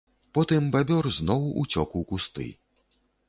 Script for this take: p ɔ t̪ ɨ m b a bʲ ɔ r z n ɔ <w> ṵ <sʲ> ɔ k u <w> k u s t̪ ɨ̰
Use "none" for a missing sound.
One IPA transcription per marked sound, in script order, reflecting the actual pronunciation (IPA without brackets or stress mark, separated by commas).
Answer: w, t͡sʲ, w